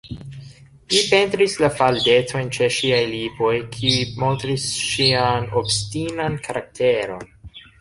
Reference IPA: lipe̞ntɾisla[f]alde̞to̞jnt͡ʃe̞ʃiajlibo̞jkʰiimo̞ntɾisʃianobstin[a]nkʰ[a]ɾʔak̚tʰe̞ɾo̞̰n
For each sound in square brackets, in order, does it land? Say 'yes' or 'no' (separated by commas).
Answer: yes, yes, yes